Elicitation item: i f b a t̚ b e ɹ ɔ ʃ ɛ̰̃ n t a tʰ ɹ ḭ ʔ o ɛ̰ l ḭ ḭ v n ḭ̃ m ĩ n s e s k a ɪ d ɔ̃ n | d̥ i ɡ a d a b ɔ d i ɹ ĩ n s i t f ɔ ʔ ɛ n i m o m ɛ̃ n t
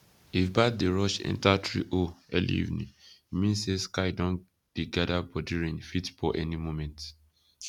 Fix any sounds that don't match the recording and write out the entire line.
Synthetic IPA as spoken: i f b a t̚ d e ɹ ɔ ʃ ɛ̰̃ n t a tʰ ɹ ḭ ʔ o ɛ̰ l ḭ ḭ v n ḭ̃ m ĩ n s e s k a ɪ d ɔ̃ n | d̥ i ɡ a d a b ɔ d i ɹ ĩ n f i t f ɔ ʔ ɛ n i m o m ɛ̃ n t

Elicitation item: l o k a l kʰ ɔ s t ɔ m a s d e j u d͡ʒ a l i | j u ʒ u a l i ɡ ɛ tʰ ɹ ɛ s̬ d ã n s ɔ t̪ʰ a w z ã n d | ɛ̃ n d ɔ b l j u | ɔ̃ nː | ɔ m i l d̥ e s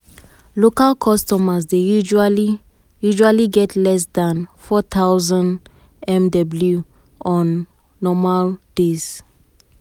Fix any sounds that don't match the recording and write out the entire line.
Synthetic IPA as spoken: l o k a l kʰ ɔ s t ɔ m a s d e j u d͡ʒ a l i | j u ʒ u a l i ɡ ɛ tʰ l ɛ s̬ d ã n f ɔ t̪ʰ a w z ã n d | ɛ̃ m d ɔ b l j u | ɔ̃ nː | ɔ m a l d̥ e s

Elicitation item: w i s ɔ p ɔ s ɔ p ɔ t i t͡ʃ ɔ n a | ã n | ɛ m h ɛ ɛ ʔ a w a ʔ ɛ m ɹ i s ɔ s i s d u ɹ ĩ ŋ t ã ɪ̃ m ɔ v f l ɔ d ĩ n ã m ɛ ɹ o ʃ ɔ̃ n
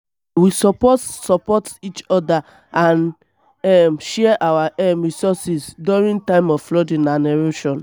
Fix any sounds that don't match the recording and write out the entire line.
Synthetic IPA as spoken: w i s ɔ p ɔ s ɔ p ɔ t i t͡ʃ ɔ d a | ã n | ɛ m ʃ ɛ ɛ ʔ a w a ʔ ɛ m ɹ i s ɔ s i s d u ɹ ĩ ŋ t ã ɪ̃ m ɔ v f l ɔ d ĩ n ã n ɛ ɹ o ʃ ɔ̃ n

